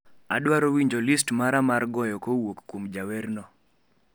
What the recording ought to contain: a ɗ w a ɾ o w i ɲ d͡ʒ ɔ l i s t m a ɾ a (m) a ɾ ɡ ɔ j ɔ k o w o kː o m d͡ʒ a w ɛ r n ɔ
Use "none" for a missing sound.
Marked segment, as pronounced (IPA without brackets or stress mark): m